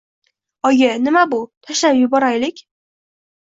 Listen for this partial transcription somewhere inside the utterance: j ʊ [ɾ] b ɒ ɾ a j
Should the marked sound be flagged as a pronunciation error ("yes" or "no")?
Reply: yes